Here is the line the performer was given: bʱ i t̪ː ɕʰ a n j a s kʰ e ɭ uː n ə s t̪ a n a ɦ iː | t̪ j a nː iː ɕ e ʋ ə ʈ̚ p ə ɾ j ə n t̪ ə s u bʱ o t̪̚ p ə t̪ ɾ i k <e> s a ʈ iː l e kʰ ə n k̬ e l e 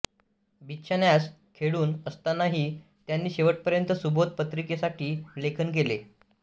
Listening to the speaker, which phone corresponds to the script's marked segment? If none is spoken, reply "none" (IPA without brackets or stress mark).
e